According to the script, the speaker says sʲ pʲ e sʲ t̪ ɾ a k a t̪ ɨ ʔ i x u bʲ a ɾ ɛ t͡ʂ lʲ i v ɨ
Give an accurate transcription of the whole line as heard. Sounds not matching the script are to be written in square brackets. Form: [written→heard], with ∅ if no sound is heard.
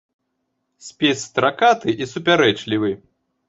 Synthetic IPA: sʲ pʲ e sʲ t̪ ɾ a k a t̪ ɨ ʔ i [x→s] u [bʲ→pʲ] a ɾ ɛ t͡ʂ lʲ i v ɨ